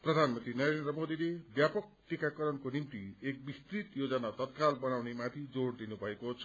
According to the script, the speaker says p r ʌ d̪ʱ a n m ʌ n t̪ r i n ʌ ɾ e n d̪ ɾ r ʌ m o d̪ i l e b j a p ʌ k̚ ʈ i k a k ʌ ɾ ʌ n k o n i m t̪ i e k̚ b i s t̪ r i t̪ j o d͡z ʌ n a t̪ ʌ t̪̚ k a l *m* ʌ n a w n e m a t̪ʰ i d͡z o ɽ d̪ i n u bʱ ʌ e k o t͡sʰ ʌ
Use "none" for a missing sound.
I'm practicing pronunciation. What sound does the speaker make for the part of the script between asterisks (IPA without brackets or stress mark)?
b